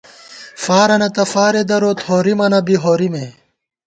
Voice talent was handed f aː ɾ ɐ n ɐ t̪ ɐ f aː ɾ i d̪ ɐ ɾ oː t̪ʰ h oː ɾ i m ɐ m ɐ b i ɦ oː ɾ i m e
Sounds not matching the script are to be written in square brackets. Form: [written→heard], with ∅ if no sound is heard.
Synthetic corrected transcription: f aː ɾ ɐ n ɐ t̪ ɐ f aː ɾ [i→e] d̪ ɐ ɾ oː [t̪ʰ→t̪] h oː ɾ i m ɐ [m→n] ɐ b i ɦ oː ɾ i m e